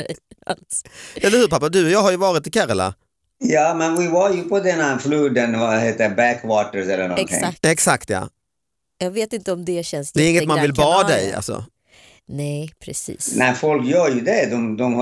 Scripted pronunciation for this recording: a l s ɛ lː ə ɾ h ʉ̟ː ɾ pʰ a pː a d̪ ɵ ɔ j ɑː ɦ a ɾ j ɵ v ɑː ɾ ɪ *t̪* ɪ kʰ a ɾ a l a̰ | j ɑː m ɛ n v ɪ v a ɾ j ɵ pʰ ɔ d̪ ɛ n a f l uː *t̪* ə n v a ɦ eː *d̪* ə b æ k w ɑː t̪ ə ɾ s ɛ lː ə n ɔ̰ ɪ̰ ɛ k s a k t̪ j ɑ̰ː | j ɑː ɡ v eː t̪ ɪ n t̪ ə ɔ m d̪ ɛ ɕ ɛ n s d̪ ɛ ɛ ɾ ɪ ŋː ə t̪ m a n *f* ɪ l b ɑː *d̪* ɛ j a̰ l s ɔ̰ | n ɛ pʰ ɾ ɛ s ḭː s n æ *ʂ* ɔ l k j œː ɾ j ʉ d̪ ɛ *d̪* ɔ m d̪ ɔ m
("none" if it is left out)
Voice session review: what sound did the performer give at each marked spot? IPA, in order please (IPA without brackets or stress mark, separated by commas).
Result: t̪, d̪, t̪, v, d̪, f, d̪